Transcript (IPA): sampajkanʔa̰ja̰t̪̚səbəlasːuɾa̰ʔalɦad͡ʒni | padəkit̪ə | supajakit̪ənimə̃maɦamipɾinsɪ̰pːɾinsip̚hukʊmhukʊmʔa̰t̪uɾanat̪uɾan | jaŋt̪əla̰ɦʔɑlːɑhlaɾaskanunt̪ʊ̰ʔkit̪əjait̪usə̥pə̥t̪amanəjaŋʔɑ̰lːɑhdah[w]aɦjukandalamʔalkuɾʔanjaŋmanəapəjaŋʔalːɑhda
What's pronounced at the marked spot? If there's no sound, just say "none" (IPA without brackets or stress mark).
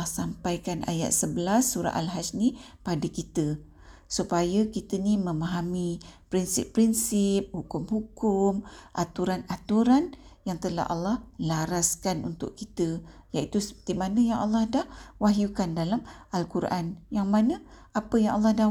w